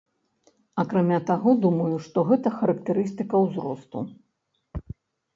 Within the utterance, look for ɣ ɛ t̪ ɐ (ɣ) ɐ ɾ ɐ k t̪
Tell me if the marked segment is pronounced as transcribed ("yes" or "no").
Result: no